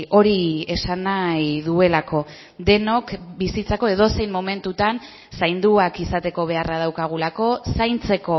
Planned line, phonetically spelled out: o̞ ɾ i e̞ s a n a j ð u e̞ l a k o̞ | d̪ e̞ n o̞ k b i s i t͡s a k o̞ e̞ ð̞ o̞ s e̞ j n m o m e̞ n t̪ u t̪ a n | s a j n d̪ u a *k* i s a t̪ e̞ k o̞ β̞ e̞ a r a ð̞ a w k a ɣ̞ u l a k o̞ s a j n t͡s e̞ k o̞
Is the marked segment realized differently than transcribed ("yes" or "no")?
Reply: no